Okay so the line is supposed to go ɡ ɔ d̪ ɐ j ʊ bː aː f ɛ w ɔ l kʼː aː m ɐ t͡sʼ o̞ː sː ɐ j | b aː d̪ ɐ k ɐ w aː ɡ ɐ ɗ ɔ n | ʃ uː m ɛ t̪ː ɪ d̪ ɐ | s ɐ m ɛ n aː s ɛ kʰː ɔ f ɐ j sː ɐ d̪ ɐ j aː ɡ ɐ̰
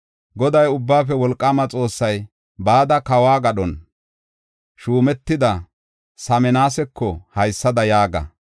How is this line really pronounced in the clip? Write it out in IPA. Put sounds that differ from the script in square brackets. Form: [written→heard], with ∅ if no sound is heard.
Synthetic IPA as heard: ɡ ɔ d̪ ɐ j ʊ bː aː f ɛ w ɔ l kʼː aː m ɐ t͡sʼ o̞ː sː ɐ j | b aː d̪ ɐ k ɐ w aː ɡ ɐ ɗ ɔ n | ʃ uː m ɛ t̪ː ɪ d̪ ɐ | s ɐ m ɛ n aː s ɛ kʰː ɔ [f→h] ɐ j sː ɐ d̪ ɐ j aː ɡ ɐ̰